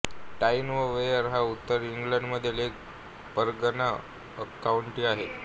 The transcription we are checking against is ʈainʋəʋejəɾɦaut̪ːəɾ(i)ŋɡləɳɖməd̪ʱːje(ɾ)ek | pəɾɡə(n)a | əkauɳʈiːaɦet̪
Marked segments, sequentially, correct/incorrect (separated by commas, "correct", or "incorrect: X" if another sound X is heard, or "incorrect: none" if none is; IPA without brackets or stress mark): correct, incorrect: l, correct